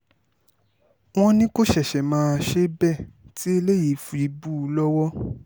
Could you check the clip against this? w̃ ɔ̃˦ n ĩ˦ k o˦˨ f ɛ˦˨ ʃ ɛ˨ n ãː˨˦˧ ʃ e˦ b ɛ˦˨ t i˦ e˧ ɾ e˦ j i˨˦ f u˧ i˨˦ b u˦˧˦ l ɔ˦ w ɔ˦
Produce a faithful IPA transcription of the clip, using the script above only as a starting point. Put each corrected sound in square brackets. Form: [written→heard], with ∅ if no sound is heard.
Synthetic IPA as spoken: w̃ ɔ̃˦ n ĩ˦ k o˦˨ [f→ʃ] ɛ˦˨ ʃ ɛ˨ [n→m] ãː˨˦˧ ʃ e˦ b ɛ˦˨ t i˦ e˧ [ɾ→l] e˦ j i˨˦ f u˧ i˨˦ b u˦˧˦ l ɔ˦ w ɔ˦